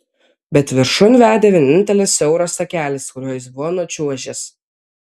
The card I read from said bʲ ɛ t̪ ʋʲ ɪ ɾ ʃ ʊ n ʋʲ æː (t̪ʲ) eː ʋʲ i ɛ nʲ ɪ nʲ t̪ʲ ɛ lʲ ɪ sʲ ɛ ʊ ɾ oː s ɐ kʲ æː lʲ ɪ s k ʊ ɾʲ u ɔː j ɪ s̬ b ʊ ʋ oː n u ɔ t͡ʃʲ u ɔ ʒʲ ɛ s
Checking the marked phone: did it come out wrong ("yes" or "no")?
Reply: yes